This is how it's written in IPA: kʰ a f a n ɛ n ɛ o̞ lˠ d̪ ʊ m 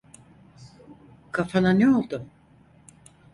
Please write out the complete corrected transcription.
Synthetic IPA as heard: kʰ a f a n a n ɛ o̞ lˠ d̪ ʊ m